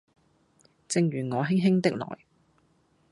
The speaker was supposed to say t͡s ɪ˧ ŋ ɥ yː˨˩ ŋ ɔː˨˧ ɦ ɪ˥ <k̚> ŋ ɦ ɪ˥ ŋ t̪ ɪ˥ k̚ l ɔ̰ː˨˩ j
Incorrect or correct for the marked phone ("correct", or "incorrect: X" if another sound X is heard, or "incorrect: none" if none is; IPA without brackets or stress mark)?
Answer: incorrect: none